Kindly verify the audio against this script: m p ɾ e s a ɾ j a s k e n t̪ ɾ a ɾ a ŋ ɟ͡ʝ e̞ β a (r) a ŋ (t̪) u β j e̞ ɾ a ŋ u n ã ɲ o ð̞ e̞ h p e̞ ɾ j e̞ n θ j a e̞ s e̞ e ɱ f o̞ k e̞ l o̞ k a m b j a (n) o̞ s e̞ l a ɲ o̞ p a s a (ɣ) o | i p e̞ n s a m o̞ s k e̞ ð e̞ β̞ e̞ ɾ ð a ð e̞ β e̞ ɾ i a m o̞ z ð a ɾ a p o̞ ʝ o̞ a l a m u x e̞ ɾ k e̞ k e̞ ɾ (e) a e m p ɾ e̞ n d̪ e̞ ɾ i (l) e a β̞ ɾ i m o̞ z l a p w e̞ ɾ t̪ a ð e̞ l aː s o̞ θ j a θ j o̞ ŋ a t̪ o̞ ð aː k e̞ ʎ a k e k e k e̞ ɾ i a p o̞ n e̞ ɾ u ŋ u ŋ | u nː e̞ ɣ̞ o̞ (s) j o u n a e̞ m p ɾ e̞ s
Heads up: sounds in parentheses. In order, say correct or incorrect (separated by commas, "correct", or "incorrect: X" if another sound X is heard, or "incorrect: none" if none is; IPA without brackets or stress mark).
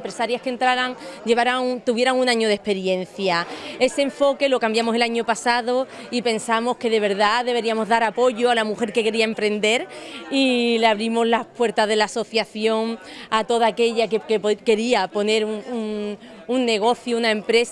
incorrect: ɾ, correct, incorrect: m, incorrect: ð, incorrect: i, correct, incorrect: θ